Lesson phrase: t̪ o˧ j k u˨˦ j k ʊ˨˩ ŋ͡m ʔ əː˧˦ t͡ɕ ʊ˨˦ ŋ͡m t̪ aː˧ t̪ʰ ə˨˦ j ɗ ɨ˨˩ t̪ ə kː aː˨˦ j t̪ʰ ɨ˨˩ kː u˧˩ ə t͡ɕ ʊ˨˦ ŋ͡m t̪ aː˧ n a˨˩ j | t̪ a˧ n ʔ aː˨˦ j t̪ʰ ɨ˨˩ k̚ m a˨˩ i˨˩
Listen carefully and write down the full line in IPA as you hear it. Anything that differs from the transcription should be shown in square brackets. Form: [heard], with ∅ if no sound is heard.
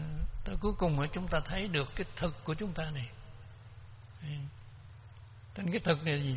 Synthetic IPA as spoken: t̪ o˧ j k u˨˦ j k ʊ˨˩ ŋ͡m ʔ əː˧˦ t͡ɕ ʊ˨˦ ŋ͡m t̪ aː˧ t̪ʰ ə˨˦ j ɗ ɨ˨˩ [∅] ə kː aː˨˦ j t̪ʰ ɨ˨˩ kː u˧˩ ə t͡ɕ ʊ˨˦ ŋ͡m t̪ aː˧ n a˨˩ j | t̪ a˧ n [k] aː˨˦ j t̪ʰ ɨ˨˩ k̚ [n] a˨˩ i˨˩